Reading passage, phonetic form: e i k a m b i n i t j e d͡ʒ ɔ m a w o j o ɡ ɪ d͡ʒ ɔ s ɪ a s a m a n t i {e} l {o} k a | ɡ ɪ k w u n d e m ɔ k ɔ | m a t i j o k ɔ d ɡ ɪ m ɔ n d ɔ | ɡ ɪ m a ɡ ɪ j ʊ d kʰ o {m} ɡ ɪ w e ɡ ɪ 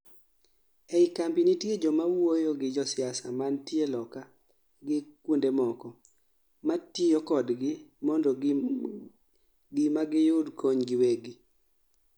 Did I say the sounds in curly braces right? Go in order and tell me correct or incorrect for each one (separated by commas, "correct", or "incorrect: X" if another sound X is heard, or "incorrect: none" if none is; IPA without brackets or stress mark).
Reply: correct, incorrect: ɔ, incorrect: ɲ